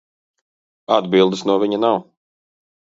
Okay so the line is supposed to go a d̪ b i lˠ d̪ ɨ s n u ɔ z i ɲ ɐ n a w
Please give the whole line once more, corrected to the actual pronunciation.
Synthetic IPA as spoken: a d̪ b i lˠ d̪ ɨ s n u ɔ v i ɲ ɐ n a w